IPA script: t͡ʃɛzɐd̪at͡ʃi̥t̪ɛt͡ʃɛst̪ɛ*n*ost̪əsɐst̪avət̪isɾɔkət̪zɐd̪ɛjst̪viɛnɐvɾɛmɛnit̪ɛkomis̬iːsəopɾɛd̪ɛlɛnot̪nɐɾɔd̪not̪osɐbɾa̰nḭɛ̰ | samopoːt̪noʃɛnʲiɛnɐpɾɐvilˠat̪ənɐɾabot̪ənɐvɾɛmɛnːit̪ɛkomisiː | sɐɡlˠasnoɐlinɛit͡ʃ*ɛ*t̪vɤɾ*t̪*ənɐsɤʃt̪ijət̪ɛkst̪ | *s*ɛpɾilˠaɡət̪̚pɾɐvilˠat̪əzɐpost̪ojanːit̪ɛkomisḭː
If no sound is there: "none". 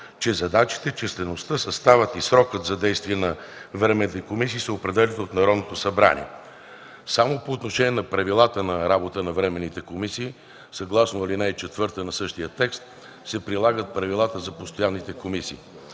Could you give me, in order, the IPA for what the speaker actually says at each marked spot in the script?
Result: n, ɛ, t̪, s

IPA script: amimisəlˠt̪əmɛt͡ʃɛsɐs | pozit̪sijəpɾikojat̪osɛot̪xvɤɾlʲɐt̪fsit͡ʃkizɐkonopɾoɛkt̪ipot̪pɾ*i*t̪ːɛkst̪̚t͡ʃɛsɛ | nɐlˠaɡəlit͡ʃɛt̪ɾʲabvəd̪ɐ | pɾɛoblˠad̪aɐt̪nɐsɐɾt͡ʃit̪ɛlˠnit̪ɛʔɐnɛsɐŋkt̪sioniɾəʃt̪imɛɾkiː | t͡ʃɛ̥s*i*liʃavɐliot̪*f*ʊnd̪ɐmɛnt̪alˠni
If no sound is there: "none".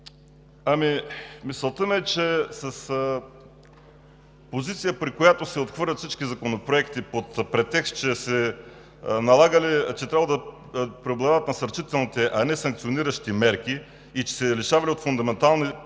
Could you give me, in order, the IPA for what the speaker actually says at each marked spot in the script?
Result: ɛ, ɛ, f

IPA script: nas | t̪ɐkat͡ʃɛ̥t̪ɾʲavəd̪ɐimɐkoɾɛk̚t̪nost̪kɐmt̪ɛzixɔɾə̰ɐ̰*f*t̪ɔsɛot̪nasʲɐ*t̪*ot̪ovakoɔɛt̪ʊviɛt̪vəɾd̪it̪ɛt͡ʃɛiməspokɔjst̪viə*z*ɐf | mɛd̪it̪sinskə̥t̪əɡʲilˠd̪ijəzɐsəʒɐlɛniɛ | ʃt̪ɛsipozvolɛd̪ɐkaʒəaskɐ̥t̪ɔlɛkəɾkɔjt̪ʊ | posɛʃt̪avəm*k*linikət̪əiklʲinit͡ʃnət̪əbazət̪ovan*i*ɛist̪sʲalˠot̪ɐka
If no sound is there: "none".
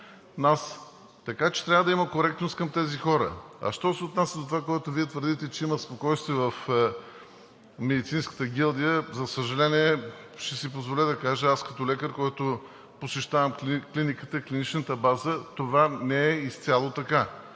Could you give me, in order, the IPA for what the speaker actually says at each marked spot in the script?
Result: ʃ, d̪, v, k, ɛ

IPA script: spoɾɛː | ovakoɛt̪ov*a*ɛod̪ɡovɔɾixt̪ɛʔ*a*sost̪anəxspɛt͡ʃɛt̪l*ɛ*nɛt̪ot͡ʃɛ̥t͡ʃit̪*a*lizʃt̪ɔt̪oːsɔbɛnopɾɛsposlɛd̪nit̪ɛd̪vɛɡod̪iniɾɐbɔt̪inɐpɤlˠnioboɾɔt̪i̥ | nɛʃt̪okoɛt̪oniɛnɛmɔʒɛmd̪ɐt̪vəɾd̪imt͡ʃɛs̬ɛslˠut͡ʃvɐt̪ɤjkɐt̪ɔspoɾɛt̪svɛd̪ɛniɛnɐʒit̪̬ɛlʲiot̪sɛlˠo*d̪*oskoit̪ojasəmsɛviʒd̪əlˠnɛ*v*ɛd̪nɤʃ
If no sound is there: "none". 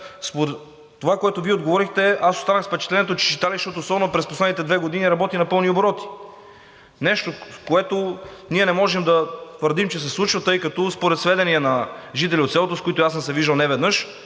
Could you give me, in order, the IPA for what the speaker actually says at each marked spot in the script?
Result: i, a, ɛ, a, t̪, v

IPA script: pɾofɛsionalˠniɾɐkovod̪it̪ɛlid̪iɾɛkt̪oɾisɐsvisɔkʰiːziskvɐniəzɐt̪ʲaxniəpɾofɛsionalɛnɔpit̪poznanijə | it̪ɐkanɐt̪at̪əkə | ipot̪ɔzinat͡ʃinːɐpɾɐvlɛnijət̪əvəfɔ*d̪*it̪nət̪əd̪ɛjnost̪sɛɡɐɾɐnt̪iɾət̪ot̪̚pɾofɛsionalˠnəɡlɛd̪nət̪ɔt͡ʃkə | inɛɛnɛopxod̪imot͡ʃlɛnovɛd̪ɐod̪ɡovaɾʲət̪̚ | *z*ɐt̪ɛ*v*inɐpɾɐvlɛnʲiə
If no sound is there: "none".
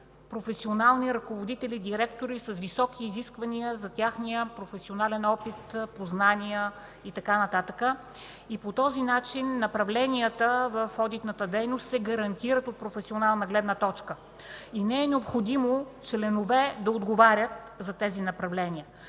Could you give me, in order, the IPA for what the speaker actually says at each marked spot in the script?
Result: d̪, z, z

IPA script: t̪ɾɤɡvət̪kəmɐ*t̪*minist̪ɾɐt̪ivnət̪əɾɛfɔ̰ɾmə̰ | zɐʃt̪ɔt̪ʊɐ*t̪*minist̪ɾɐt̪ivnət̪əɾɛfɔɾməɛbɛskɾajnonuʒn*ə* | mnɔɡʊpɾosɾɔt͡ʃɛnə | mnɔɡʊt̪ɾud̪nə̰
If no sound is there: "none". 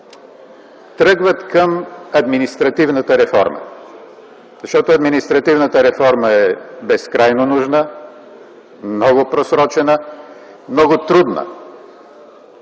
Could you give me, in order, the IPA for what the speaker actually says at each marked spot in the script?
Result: d̪, d̪, ə

